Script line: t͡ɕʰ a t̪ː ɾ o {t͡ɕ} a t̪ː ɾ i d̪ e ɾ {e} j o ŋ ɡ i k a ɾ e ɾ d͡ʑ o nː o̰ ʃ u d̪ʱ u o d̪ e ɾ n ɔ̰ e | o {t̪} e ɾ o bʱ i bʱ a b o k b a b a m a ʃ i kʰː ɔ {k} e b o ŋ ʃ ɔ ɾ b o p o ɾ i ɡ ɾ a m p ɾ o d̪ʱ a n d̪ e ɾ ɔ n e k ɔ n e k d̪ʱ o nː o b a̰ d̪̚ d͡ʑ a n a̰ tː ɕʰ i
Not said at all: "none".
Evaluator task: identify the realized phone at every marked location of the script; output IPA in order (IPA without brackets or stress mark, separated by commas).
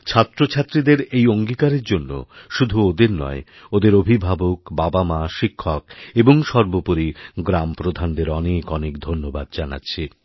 t͡ɕʰ, e, d̪, k